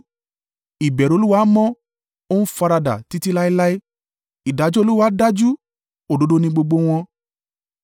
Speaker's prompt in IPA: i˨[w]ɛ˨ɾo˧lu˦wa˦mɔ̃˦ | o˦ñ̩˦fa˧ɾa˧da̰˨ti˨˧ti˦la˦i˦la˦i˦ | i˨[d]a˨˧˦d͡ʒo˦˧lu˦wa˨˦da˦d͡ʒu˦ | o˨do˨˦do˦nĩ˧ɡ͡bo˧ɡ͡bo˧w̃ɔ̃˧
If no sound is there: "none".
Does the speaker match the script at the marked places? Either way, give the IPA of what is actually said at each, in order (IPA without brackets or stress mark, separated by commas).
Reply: b, d